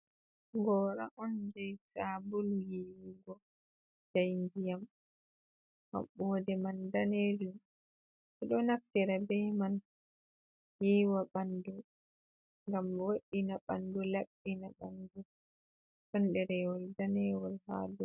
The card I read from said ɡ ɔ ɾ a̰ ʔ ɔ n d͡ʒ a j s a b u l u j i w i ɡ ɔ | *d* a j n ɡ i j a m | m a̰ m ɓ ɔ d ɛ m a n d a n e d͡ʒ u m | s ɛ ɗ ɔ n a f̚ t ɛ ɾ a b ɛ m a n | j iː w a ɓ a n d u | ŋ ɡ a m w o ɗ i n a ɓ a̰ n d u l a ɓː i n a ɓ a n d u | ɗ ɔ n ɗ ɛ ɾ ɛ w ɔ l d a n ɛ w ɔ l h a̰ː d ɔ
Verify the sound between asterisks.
incorrect: d͡ʒ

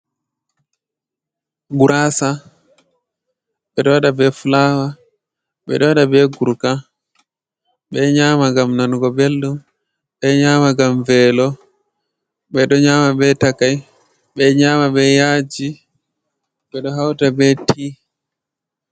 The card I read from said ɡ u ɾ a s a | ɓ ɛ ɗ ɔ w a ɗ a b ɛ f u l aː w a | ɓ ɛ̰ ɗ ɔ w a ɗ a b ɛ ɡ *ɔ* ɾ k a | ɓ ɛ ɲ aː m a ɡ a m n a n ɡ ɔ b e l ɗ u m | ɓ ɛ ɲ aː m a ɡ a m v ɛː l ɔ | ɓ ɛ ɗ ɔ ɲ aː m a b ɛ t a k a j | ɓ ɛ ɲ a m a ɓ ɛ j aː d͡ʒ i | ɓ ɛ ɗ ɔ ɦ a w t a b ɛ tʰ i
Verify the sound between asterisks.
incorrect: u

